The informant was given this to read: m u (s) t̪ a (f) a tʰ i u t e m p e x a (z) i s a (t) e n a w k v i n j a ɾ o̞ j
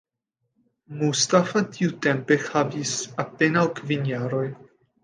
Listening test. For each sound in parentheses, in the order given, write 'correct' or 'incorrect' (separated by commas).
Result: correct, correct, incorrect, incorrect